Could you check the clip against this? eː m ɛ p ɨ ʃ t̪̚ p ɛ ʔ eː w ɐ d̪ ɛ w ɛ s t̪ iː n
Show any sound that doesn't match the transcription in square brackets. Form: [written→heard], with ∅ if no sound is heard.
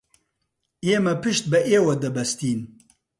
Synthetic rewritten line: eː m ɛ p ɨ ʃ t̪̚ [p→b] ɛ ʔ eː w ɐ d̪ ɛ [w→b] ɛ s t̪ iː n